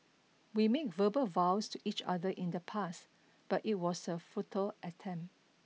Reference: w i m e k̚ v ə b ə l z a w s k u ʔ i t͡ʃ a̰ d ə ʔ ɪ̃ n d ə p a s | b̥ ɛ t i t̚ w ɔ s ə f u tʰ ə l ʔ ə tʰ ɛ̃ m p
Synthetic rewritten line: w i m e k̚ v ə b ə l v a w s t u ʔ i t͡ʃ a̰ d ə ʔ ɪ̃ n d ə pʰ a s | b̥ a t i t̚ w ɔ s ə f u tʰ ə l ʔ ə tʰ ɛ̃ m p